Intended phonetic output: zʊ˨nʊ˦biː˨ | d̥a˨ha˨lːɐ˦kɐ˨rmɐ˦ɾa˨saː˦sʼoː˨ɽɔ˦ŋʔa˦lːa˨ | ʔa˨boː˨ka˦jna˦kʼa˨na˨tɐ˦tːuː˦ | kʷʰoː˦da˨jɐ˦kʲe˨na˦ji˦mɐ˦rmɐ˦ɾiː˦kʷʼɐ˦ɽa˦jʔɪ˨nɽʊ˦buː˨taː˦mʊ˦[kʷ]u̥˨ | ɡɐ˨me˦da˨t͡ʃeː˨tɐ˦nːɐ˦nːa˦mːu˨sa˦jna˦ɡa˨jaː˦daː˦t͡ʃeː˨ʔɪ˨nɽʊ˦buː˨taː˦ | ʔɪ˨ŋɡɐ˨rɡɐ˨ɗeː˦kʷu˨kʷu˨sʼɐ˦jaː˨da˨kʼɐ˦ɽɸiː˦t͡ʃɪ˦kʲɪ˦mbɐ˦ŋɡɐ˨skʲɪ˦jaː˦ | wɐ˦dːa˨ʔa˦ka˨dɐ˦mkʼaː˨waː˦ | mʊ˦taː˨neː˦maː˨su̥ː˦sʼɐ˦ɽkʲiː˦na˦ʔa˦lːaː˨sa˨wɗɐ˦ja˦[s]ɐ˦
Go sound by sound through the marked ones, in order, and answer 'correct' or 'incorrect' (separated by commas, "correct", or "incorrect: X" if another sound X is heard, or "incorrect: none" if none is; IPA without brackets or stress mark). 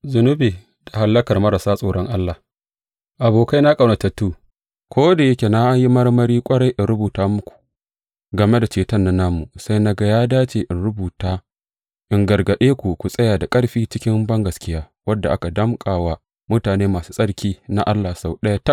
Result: correct, incorrect: t